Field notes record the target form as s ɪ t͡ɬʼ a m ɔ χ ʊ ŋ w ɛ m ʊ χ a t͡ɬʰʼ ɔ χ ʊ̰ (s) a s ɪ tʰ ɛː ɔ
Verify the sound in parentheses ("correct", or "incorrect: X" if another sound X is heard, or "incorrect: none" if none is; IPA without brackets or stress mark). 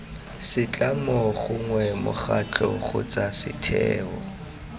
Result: incorrect: t͡s